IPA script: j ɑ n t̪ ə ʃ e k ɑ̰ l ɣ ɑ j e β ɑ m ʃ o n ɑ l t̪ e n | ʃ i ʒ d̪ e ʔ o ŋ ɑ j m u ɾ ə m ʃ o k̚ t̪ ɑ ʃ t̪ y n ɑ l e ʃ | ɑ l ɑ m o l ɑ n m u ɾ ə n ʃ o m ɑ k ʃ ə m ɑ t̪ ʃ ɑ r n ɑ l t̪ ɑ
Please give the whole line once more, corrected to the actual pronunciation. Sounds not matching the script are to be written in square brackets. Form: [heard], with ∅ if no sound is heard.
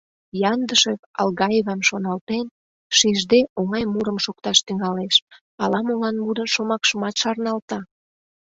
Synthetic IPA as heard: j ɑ n [d̪] ə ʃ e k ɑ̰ l ɣ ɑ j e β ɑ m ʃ o n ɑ l t̪ e n | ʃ i ʒ d̪ e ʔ o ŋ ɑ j m u ɾ ə m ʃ o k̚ t̪ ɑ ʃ t̪ y [ŋ] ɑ l e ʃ | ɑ l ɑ m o l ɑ n m u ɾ ə n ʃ o m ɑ k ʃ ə m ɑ t̪ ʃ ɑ r n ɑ l t̪ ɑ